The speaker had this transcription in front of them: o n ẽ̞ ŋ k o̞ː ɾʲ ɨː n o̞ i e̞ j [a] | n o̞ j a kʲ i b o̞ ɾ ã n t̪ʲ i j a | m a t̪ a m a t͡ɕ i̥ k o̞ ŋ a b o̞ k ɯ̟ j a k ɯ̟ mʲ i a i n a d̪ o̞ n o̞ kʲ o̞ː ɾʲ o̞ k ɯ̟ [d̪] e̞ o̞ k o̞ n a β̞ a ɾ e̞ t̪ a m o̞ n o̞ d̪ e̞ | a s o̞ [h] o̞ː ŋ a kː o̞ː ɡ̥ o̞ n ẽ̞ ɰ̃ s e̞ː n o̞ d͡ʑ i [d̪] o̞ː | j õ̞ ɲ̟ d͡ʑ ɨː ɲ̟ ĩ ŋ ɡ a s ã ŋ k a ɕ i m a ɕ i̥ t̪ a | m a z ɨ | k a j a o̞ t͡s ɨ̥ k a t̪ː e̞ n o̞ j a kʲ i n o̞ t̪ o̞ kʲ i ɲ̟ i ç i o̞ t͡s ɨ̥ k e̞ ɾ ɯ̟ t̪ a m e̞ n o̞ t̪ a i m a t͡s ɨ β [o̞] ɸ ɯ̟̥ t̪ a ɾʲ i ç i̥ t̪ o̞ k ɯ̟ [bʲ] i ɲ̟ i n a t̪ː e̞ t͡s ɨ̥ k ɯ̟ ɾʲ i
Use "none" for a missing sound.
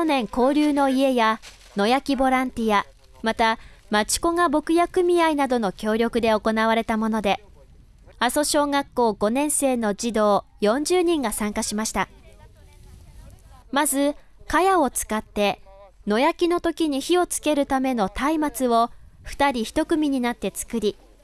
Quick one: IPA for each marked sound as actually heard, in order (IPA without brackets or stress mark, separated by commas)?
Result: a, d̪, ɕ, d̪, o̞, mʲ